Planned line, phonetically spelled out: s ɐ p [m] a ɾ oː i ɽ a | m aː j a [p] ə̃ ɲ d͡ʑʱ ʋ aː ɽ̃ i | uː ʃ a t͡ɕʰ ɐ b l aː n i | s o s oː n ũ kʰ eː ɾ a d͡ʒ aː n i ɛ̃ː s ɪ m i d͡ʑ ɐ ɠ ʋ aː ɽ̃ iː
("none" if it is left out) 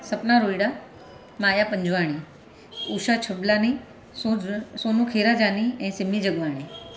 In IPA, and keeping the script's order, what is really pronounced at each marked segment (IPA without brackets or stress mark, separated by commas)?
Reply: n, p